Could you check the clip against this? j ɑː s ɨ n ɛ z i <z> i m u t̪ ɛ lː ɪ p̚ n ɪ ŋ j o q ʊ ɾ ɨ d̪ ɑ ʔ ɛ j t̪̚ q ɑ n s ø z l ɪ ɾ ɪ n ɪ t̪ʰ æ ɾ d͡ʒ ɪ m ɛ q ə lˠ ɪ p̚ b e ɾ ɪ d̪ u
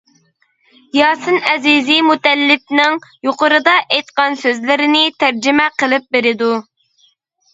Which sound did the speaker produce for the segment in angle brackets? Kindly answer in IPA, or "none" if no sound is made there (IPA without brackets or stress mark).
z